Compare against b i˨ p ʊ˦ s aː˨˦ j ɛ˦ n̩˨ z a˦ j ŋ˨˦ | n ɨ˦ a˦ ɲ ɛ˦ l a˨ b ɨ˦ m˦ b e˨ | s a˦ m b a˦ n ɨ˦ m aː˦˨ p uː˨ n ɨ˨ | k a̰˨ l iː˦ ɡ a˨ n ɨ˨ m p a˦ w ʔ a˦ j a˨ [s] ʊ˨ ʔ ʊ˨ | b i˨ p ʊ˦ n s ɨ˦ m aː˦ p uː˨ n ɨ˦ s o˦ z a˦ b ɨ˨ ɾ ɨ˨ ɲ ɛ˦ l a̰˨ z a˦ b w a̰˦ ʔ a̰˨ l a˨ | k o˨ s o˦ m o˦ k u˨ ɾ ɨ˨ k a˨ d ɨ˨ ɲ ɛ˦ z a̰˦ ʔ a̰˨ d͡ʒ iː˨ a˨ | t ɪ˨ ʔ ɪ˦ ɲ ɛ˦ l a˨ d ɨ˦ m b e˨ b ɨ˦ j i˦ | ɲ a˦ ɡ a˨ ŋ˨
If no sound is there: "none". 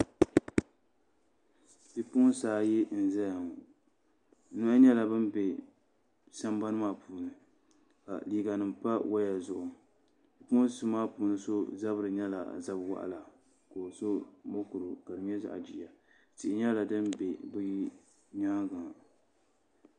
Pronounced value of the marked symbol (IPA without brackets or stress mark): z